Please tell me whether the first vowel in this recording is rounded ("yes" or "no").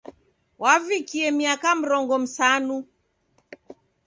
no